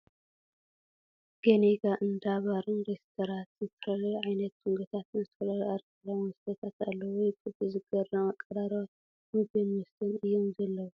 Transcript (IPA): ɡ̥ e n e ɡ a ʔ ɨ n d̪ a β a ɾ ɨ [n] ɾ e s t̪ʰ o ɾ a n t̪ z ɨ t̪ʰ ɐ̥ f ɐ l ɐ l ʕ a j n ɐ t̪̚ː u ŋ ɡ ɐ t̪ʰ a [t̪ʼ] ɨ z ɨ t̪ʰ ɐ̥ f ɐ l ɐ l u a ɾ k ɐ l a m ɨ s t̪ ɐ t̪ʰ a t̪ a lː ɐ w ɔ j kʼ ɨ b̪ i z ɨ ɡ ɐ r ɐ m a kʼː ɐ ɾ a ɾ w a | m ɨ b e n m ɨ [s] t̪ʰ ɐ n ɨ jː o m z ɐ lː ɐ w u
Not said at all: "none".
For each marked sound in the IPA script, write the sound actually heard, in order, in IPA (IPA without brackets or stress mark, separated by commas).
n, t̪, s